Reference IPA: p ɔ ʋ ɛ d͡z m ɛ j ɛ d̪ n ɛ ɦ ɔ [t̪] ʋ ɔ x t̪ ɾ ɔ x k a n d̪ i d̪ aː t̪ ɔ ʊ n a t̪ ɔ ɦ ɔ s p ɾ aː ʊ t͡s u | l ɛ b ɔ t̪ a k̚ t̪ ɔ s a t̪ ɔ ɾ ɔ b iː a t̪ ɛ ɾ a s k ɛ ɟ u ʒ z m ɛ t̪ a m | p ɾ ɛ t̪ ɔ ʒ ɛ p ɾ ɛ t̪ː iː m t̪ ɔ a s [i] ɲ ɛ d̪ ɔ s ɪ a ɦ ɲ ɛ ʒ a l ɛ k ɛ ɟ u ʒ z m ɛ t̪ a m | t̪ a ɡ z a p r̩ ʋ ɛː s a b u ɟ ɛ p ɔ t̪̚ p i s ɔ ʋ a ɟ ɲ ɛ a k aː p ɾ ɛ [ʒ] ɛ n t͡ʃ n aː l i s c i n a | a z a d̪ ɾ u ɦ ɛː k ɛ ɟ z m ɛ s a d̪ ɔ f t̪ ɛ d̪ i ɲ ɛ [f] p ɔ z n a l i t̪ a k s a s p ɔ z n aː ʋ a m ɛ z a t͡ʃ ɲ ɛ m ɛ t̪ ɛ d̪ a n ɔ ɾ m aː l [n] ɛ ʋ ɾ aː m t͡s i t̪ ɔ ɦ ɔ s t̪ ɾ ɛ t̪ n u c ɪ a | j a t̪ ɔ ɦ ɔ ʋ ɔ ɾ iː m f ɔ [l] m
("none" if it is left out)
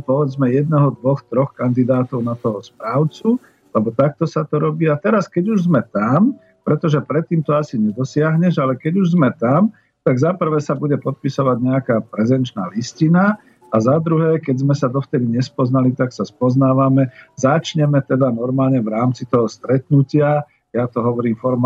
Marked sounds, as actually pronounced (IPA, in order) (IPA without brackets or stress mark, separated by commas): d̪, i, z, s, ɲ, ɾ